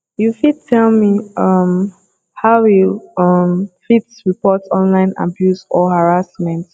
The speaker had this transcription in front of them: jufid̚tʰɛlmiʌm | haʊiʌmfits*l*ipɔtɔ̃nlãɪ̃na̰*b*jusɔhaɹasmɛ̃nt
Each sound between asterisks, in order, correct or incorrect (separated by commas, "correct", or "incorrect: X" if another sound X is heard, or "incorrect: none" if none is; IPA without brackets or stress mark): incorrect: ɹ, correct